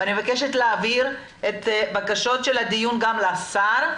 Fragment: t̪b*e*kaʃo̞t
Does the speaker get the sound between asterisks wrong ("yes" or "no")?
yes